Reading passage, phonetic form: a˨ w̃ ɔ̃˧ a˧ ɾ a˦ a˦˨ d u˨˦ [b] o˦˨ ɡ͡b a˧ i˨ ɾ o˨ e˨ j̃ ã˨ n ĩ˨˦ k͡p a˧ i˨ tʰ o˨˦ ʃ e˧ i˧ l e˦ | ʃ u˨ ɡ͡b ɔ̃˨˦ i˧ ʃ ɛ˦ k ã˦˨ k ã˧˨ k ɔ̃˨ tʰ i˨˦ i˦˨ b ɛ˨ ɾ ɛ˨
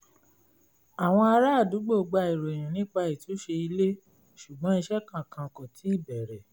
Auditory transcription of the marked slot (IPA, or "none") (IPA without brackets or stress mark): ɡ͡b